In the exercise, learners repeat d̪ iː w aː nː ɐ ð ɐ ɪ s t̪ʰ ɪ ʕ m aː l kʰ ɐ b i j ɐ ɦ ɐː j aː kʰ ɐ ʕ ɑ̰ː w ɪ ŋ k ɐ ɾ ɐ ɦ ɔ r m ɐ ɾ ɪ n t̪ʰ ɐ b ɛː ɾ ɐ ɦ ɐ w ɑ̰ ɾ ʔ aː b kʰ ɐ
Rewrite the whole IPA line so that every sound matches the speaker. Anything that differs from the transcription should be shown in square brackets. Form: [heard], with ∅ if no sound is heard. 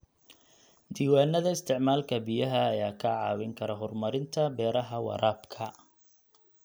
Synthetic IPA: d̪ iː w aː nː ɐ ð ɐ ɪ s t̪ʰ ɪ ʕ m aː l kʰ ɐ b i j ɐ ɦ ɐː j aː kʰ ɐ ʕ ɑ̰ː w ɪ ŋ [kʰ] ɐ ɾ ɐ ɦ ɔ r m ɐ ɾ ɪ n t̪ʰ ɐ b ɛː ɾ ɐ ɦ ɐ w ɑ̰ ɾ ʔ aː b kʰ ɐ

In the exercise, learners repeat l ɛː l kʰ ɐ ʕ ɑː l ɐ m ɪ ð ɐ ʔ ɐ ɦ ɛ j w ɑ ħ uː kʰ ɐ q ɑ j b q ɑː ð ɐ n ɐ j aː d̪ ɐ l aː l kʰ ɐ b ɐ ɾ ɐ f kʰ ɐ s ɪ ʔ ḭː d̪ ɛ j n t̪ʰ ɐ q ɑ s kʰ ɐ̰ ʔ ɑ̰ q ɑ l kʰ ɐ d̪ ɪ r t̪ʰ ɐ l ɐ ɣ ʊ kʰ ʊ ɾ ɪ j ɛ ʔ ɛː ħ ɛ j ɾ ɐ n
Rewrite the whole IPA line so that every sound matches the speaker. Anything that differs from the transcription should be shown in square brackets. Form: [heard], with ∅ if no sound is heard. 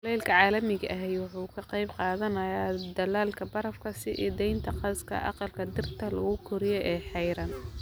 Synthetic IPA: l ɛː l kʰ ɐ ʕ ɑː l ɐ m ɪ [ɣ] ɐ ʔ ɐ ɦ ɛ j w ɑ ħ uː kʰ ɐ q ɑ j b q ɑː ð ɐ n ɐ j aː d̪ ɐ l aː l kʰ ɐ b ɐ ɾ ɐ f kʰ ɐ s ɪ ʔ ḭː d̪ ɛ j n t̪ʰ ɐ q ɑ s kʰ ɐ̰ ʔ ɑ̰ q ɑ l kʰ ɐ d̪ ɪ r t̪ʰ ɐ l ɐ ɣ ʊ kʰ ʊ ɾ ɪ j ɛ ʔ ɛː ħ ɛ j ɾ ɐ n

